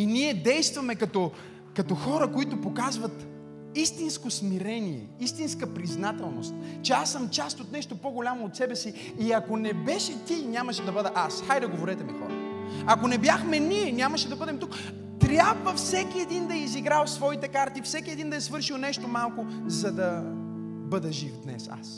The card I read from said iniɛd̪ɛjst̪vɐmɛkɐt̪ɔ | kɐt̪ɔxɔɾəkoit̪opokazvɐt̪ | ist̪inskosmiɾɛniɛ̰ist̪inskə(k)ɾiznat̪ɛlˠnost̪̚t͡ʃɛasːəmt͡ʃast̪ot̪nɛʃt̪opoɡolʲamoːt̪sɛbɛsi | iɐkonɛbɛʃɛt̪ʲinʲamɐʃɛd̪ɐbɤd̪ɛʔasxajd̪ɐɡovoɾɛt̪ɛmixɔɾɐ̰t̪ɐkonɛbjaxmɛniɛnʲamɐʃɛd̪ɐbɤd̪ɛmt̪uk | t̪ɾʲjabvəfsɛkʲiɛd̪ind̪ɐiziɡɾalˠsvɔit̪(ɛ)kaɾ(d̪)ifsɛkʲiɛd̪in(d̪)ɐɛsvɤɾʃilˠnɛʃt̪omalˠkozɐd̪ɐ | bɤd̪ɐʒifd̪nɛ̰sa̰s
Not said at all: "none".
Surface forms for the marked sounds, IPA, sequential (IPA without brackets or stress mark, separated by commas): p, ɛ, t̪, d̪